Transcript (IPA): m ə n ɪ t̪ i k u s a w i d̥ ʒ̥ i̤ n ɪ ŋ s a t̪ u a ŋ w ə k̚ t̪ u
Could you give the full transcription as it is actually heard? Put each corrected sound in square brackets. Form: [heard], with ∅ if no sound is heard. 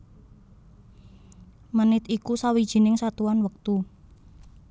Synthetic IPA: m ə n ɪ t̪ i k u s a w i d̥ ʒ̥ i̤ n ɪ ŋ s a t̪ u a [n] w ə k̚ t̪ u